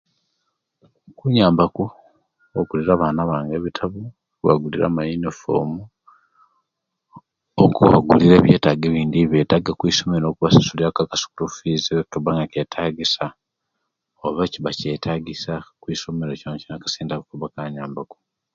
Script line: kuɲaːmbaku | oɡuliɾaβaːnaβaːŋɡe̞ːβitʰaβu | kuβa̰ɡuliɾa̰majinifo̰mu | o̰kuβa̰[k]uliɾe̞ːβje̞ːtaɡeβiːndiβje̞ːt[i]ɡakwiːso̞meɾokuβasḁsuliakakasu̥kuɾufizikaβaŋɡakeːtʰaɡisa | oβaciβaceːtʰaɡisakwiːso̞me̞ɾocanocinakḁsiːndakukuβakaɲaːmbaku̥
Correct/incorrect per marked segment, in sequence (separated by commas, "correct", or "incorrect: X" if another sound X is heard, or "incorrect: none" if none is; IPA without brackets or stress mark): incorrect: ɡ, incorrect: a